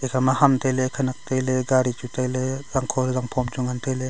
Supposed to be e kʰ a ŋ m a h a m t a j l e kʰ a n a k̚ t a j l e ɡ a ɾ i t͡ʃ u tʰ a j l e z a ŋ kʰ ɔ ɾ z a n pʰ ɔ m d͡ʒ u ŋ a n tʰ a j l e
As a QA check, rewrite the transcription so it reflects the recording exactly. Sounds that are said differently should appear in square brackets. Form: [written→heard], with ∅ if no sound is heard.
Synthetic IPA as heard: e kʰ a [ŋ→∅] m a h a m t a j l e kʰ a n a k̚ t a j l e ɡ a ɾ i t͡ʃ u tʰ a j l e z a ŋ kʰ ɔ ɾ z a [n→ŋ] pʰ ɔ m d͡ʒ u ŋ a n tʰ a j l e